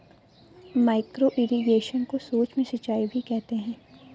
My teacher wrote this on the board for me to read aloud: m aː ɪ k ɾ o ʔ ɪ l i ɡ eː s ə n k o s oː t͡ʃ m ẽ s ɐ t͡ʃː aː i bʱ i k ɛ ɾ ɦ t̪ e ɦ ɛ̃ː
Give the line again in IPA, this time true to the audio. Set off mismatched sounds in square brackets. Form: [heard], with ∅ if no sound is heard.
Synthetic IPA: m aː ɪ k ɾ o ʔ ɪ [ɾ] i ɡ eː [ʃ] ə n k o s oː t͡ʃ m ẽ s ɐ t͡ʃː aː i bʱ i k ɛ [∅] ɦ t̪ e ɦ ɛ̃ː